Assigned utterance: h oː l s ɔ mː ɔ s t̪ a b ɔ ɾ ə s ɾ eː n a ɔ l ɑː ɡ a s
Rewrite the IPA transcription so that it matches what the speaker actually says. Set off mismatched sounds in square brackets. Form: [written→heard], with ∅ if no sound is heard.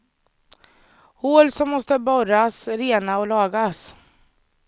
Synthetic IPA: h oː l s ɔ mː ɔ s t̪ [a→ə] b ɔ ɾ [ə→a] s ɾ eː n a ɔ l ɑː ɡ a s